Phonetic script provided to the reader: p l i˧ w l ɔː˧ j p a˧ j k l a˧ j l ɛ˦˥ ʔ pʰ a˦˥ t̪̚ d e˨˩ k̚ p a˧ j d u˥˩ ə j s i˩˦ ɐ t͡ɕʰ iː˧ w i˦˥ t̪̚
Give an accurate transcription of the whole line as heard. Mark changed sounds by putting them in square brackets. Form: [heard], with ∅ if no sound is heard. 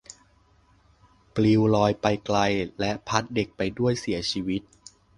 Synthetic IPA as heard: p l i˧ w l ɔː˧ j p a˧ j k l a˧ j l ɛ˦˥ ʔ pʰ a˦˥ t̪̚ d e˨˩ k̚ p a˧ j d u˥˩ ə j s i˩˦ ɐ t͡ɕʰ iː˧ w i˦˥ t̪̚